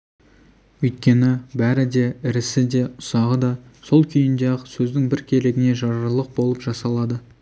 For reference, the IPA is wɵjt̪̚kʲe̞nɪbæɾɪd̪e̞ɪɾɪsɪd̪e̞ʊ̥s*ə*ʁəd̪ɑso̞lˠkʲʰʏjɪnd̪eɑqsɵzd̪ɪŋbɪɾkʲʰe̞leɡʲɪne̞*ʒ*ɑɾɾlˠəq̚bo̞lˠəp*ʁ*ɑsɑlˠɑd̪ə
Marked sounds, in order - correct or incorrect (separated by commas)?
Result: incorrect, correct, incorrect